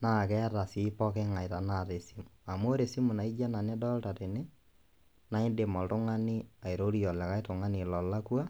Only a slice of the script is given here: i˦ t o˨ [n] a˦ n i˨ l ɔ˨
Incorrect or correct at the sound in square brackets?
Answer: incorrect: ŋ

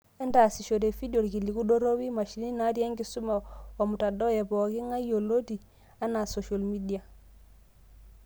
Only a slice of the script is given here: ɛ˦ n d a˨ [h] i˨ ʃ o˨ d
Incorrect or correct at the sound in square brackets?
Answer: incorrect: s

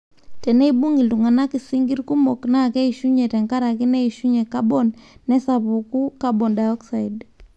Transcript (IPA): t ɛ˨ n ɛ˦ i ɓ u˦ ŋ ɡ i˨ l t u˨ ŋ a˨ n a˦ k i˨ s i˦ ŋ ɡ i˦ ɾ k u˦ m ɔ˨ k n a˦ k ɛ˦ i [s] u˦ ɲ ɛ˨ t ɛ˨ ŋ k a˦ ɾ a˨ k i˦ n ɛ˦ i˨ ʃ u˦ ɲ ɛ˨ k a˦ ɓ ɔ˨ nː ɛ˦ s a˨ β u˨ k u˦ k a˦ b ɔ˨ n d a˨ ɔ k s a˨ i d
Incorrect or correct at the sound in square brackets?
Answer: incorrect: ʃ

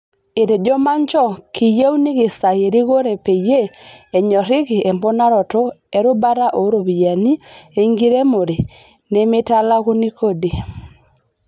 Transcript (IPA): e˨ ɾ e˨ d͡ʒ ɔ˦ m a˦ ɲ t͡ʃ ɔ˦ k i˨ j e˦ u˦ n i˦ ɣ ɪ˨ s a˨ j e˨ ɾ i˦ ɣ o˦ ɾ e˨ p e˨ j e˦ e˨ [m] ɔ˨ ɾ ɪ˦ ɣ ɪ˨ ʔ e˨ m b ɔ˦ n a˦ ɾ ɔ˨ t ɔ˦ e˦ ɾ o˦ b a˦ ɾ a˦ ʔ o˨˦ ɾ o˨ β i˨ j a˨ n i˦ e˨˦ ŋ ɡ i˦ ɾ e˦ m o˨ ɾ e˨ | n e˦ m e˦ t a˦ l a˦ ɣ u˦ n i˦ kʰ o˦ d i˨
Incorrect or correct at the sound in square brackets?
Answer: incorrect: ɲ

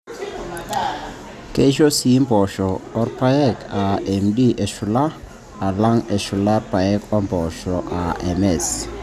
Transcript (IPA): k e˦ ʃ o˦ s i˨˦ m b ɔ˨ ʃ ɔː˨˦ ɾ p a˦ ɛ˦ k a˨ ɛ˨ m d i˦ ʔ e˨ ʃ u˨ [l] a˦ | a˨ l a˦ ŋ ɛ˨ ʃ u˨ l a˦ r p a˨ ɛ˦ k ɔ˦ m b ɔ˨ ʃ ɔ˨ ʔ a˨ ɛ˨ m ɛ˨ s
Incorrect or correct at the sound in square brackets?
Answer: correct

